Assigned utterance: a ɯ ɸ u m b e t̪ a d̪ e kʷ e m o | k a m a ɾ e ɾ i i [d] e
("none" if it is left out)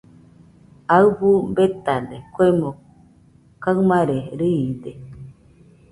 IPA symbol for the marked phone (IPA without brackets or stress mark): d